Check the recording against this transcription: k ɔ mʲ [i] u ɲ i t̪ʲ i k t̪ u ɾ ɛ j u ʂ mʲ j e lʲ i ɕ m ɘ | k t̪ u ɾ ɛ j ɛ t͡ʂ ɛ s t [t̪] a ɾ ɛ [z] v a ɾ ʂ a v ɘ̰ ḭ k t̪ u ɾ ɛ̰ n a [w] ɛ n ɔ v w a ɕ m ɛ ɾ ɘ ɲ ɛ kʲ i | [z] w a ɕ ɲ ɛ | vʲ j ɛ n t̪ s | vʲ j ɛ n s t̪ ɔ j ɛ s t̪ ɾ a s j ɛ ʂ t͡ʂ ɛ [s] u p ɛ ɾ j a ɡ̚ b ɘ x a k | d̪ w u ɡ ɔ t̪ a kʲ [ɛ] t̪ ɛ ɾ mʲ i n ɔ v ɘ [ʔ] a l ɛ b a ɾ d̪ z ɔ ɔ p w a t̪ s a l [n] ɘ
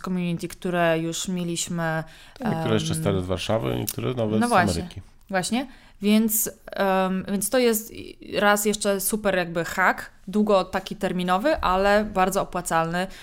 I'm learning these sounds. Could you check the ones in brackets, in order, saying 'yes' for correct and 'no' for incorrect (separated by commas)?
no, yes, yes, no, no, yes, no, yes, yes